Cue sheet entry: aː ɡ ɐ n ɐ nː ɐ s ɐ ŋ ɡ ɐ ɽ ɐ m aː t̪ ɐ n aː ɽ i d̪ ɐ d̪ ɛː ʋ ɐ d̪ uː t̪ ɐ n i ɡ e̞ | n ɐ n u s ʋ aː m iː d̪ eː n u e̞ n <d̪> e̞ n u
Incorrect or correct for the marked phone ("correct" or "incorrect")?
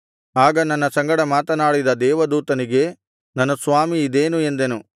correct